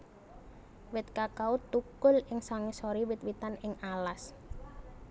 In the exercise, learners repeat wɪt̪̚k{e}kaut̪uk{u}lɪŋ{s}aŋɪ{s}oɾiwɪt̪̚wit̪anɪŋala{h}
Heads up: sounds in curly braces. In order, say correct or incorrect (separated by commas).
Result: incorrect, incorrect, correct, correct, incorrect